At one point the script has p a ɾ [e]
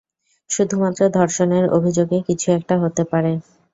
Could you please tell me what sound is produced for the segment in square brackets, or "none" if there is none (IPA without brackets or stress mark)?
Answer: e